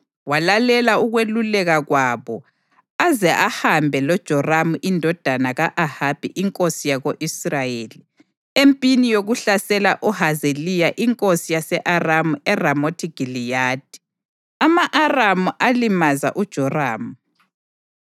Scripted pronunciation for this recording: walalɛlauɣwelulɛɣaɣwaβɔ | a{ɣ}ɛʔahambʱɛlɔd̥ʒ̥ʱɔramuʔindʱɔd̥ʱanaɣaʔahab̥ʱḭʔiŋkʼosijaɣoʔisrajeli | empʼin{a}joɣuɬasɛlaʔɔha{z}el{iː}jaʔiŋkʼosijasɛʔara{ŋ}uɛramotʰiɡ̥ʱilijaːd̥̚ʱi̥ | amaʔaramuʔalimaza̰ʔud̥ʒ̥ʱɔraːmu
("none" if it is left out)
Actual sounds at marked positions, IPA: z, i, z, i, m

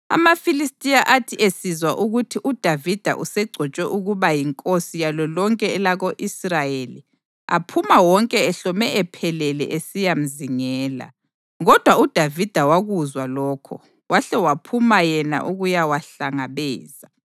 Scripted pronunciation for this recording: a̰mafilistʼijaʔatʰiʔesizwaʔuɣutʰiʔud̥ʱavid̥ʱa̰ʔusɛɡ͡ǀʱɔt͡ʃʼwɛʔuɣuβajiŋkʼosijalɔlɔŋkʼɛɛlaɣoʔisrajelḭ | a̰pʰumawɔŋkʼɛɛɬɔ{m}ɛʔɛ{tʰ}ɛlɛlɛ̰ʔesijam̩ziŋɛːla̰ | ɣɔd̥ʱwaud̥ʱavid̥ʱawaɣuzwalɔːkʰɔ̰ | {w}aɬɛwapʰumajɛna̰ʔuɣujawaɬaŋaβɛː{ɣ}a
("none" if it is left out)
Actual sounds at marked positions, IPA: m, pʰ, w, z

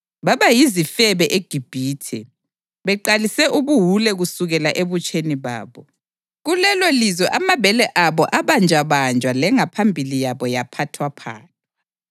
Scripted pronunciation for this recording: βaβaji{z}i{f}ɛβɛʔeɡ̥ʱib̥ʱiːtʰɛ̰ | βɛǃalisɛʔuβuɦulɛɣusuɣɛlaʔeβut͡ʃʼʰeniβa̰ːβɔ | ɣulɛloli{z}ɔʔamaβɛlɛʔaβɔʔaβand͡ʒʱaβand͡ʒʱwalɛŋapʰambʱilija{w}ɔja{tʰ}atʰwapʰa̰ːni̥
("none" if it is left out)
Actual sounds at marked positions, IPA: z, f, z, β, pʰ

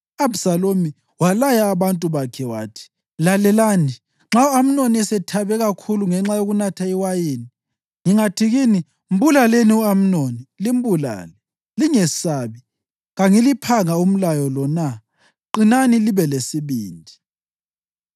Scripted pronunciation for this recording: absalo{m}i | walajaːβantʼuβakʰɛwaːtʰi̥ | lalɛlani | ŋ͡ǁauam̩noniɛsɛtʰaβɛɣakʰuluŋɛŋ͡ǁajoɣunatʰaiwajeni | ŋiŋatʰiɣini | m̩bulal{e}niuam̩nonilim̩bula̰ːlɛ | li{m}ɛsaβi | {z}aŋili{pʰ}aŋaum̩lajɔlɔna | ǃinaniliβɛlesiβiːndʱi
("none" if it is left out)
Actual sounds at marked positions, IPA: m, e, ŋ, ɣ, pʰ

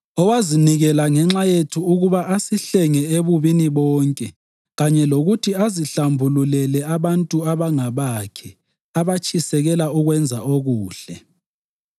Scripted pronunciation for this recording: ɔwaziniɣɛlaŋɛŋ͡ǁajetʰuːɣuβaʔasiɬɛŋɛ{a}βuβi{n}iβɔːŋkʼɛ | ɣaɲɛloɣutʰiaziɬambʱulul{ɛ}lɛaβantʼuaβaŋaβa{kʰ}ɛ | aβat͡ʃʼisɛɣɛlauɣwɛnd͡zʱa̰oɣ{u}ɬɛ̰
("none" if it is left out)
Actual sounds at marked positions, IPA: e, n, ɛ, kʰ, uː

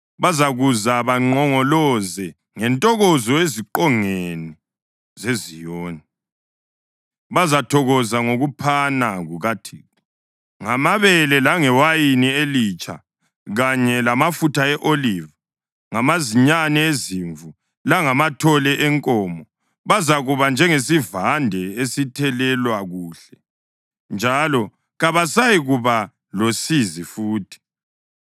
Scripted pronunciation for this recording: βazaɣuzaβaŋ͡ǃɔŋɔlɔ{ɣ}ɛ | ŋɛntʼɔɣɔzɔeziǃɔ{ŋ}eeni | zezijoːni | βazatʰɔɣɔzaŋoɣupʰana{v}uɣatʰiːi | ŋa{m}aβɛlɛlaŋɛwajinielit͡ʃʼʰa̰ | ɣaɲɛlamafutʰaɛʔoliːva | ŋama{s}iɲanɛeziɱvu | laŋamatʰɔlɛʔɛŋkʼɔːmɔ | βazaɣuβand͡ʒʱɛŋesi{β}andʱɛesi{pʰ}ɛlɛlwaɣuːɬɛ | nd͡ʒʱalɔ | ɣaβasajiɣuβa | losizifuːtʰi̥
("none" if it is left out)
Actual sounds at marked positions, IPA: z, ŋ, ɣ, m, z, v, tʰ

